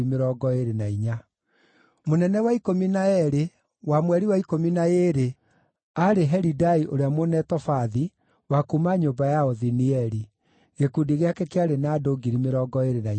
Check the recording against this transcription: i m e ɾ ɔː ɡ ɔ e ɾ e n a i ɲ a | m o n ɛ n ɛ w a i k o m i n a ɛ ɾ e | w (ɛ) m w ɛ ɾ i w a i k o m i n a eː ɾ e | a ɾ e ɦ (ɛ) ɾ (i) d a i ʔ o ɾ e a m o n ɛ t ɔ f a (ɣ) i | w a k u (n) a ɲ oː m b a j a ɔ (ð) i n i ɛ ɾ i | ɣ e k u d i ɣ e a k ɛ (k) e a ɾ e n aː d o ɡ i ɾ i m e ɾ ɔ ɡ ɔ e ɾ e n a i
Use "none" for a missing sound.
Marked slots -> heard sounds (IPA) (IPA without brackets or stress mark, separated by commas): a, ɛ, i, ð, m, ð, k